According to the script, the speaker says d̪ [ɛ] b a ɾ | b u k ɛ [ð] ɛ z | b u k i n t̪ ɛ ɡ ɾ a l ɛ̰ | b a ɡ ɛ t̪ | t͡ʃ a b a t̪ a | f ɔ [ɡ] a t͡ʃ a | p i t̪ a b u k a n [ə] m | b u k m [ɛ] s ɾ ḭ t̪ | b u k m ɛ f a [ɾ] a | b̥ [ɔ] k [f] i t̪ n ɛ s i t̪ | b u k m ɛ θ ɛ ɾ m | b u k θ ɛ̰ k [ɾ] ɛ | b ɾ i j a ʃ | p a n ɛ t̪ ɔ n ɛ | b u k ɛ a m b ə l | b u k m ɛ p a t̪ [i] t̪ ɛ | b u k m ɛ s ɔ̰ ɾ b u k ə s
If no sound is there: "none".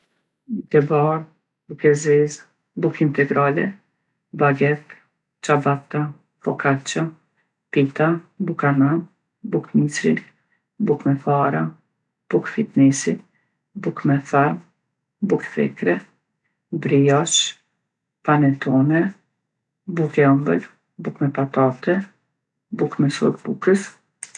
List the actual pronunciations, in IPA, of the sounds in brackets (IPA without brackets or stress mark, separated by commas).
ɛ, z, k, a, i, ɾ, u, f, ɾ, a